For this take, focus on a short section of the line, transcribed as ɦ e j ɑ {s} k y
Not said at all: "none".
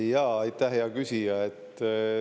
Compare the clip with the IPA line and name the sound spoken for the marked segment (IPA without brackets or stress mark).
none